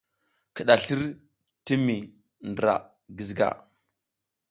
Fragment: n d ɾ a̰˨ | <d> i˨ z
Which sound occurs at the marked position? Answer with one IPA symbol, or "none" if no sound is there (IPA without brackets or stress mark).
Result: ɡ